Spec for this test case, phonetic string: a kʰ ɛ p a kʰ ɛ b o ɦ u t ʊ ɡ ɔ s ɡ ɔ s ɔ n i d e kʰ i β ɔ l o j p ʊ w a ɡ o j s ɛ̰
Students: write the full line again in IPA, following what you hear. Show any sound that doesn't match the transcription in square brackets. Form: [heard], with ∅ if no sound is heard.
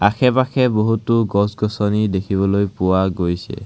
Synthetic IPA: a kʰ ɛ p a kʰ ɛ b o ɦ u t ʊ ɡ ɔ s ɡ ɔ s ɔ n i d e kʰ i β ɔ l o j p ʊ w a ɡ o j s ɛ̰